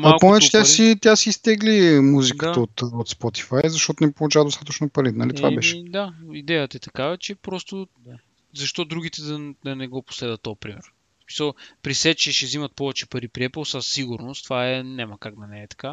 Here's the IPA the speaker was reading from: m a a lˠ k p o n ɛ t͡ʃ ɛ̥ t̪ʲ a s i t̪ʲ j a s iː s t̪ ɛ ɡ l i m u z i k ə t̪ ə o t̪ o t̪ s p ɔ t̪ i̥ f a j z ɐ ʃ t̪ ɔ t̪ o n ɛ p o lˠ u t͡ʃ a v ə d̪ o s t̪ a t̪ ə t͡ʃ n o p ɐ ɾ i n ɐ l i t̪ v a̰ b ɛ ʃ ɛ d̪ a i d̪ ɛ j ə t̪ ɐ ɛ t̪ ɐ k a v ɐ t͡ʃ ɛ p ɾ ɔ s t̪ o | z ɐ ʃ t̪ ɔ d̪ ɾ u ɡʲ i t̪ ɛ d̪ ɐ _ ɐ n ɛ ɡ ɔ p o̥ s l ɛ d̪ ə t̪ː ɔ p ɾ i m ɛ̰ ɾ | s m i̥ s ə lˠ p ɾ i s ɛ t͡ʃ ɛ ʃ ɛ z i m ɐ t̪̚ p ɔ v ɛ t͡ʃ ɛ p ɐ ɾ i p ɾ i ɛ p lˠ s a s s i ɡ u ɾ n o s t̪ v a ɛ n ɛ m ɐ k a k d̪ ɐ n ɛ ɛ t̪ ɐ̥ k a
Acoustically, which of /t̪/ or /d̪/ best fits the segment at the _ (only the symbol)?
d̪